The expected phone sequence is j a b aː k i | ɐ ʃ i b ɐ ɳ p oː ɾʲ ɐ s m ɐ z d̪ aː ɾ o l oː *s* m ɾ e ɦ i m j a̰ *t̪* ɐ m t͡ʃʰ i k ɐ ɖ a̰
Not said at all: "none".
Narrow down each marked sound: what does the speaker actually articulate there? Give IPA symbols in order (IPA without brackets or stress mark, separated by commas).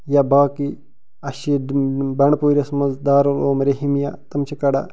none, t̪